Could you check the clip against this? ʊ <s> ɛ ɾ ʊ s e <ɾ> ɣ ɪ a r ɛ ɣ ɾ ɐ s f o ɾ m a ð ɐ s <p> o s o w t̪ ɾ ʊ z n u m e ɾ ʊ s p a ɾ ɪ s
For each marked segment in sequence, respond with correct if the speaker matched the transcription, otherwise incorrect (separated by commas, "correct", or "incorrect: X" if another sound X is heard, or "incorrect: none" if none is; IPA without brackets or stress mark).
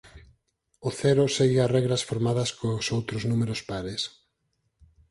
incorrect: θ, incorrect: none, incorrect: k